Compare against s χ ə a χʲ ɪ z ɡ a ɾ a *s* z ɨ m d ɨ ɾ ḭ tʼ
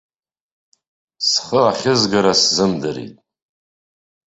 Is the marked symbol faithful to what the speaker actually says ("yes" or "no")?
yes